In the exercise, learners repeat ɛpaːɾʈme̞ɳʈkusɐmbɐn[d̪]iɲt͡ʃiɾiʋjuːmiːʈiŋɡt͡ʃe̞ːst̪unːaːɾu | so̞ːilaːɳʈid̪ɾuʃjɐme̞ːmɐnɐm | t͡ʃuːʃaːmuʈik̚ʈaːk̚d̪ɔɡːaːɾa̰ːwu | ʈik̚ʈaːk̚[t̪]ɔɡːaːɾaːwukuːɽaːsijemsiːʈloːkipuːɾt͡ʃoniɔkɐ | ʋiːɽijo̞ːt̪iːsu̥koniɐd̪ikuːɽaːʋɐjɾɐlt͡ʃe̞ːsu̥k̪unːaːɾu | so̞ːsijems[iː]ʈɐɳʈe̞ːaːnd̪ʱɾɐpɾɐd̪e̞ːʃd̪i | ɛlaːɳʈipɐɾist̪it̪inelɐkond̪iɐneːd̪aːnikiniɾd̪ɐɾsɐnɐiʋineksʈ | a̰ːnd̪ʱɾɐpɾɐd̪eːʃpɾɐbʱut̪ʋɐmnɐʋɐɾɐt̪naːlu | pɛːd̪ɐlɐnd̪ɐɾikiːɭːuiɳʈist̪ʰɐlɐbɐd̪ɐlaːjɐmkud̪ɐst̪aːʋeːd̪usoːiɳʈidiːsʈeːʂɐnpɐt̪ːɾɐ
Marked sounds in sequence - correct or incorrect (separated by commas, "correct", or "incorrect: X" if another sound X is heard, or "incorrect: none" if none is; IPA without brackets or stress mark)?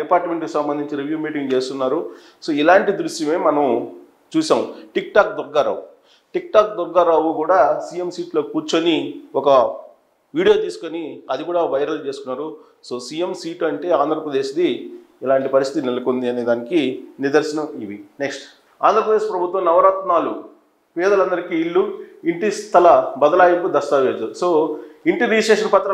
correct, incorrect: d̪, correct